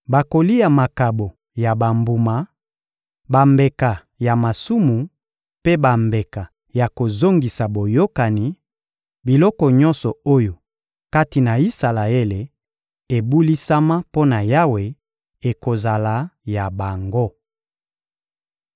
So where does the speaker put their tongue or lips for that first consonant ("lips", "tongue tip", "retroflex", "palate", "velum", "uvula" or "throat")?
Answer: lips